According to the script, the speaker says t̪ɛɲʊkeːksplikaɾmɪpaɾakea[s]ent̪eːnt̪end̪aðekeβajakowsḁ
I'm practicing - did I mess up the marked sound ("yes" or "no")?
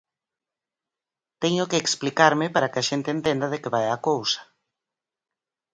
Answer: yes